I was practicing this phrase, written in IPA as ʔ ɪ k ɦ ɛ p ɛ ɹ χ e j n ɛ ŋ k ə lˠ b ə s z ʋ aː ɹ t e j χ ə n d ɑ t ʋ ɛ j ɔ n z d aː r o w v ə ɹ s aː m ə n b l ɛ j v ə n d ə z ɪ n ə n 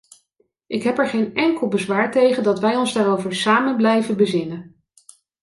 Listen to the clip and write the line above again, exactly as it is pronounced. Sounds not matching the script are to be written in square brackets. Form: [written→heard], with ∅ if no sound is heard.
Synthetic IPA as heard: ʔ ɪ k ɦ ɛ p ɛ ɹ χ e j n ɛ ŋ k ə lˠ b ə [s→∅] z ʋ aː ɹ t e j χ ə n d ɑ t ʋ ɛ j ɔ n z d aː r o w v ə ɹ s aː m ə n b l ɛ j v ə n [d→b] ə z ɪ n ə n